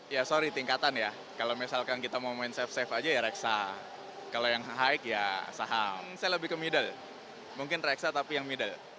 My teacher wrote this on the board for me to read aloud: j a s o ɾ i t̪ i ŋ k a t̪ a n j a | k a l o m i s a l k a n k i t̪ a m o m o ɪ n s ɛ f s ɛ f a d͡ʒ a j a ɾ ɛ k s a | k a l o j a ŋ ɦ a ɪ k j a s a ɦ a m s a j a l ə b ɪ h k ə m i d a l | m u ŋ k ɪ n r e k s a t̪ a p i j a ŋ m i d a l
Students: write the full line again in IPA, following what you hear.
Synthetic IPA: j a s o ɾ i t̪ i ŋ k a t̪ a n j a | k a l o m i s a l k a n k i t̪ a m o m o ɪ n s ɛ f s ɛ f a d͡ʒ a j a ɾ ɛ k s a | k a l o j a ŋ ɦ a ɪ k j a s a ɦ a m s a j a l ə b ɪ h k ə m i d a l | m u ŋ k ɪ n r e k s a t̪ a p i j a ŋ m i d a l